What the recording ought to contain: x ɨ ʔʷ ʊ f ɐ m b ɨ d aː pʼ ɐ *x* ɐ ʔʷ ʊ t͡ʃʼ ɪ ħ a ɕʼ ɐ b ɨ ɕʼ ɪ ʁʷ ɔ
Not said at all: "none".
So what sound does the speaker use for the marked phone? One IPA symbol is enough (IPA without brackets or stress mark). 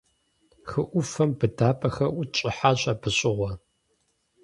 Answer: x